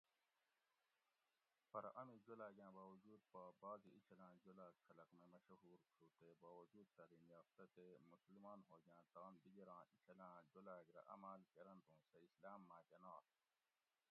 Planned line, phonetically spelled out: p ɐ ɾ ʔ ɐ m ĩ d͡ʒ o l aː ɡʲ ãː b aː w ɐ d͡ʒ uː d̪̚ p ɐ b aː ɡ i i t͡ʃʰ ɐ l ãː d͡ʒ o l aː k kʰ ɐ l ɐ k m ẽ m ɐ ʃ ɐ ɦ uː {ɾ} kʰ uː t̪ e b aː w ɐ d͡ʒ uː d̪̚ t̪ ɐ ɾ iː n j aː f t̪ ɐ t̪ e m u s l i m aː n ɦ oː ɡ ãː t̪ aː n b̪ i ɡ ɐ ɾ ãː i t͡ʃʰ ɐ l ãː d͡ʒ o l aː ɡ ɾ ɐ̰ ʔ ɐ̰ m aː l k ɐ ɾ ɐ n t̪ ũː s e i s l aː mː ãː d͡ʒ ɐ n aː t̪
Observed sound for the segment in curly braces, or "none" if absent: ɾ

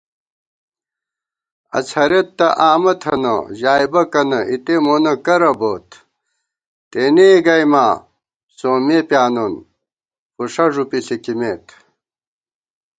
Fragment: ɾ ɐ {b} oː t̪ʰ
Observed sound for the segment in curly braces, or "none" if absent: b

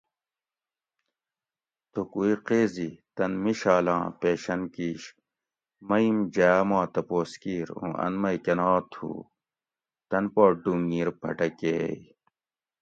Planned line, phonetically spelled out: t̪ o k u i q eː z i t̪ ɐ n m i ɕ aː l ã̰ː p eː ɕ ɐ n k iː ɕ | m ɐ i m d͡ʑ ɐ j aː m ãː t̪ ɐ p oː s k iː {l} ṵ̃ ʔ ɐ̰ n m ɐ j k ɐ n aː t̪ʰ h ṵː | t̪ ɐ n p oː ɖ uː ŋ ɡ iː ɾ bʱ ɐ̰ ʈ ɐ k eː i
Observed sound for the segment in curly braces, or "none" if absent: ɾ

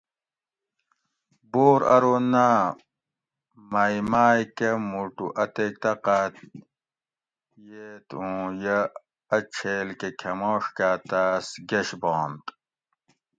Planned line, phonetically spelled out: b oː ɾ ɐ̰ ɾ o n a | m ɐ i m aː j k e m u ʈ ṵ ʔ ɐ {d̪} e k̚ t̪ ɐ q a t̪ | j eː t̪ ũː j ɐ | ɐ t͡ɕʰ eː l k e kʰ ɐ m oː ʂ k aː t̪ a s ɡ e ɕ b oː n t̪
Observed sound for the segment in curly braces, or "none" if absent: t̪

